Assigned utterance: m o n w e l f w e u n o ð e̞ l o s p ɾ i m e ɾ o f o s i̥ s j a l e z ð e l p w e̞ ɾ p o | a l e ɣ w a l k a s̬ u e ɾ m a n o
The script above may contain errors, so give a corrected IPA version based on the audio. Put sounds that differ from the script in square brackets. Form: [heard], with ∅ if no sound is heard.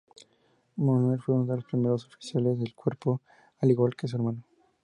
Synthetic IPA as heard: m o n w e l f w e u n o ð e̞ l o s p ɾ i m e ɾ o [s] o [f] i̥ s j a l e z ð e l [k] w e̞ ɾ p o | a l [i] ɣ w a l k [e] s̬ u e ɾ m a n o